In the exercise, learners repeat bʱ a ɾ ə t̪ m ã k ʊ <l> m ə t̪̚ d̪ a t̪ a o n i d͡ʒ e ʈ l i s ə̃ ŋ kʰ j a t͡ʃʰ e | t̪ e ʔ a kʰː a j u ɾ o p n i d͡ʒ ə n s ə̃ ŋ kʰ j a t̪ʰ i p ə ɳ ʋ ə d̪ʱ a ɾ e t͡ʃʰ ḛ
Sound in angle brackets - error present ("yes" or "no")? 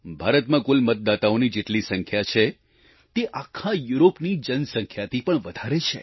no